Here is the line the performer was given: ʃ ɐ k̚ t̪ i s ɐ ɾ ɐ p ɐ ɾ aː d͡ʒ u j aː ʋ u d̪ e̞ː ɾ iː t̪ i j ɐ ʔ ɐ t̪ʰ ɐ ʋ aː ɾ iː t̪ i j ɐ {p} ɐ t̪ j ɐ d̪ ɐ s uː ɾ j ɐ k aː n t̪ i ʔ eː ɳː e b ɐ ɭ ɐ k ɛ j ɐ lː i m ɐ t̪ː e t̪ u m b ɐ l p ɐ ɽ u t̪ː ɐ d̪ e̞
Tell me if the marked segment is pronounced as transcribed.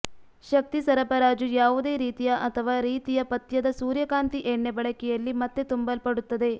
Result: yes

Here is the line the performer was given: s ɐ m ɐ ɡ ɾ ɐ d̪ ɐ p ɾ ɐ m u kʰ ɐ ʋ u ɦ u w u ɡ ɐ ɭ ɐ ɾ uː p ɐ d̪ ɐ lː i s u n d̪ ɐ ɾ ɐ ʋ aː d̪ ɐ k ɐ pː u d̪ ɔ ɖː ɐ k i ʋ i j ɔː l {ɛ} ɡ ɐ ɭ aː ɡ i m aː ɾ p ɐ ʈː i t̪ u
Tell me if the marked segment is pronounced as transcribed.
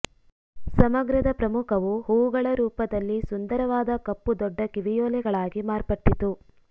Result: yes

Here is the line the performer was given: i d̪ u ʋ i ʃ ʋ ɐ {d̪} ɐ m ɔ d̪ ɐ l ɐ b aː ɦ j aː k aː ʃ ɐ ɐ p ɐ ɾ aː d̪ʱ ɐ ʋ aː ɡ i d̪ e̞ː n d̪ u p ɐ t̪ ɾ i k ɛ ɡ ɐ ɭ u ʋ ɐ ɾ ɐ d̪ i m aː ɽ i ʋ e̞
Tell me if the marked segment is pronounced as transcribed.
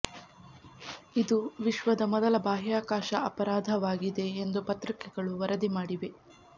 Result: yes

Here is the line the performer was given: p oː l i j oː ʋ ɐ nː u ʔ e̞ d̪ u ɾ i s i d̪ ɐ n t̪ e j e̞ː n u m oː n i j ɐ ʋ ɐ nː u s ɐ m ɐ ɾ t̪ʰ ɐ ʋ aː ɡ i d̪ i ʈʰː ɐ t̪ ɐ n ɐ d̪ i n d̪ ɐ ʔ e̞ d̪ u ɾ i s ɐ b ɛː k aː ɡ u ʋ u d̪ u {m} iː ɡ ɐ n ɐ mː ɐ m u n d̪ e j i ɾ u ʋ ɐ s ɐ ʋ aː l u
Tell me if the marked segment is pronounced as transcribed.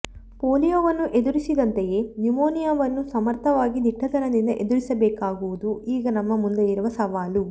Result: no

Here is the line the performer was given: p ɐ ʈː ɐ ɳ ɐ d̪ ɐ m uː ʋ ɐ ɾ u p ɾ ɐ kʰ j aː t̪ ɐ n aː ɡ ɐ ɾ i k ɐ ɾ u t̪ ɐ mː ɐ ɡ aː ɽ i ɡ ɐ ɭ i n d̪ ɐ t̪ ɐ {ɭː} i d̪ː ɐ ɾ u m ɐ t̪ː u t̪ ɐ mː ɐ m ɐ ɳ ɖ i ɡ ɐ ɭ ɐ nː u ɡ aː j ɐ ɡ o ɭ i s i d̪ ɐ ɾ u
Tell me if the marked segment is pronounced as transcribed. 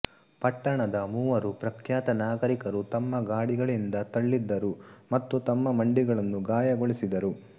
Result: yes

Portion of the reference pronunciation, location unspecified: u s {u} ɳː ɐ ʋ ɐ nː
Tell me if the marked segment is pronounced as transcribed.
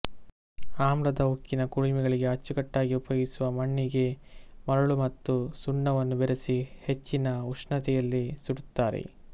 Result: yes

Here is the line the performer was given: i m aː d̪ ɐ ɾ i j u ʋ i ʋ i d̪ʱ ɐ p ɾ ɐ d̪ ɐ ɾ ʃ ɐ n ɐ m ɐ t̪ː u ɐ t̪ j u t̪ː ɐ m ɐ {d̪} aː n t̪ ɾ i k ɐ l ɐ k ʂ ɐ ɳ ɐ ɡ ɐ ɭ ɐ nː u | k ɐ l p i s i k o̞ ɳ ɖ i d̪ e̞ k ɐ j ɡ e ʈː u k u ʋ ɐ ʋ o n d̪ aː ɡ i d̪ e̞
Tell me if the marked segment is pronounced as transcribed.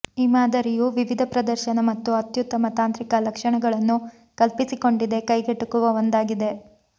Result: no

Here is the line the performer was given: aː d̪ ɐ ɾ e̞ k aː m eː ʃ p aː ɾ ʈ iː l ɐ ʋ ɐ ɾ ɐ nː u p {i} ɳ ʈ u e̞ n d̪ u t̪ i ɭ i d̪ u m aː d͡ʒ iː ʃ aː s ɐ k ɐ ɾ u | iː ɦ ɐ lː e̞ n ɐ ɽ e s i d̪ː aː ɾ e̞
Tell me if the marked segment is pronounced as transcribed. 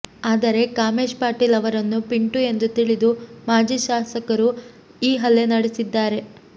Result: yes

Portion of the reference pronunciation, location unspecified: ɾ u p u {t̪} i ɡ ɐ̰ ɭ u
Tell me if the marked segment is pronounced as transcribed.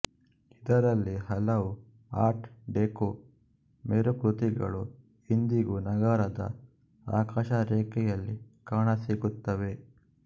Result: yes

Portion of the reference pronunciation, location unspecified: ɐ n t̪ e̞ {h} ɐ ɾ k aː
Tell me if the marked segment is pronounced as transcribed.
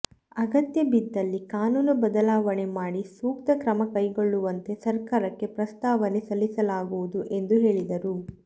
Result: no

